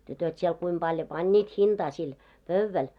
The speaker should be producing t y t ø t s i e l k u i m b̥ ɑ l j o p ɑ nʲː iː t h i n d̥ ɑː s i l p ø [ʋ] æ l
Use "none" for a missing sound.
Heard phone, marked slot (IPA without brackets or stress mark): ʋː